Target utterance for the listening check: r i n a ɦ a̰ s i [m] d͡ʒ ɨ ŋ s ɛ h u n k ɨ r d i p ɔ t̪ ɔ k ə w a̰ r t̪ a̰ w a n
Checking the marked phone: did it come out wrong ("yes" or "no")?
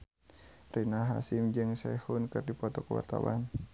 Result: no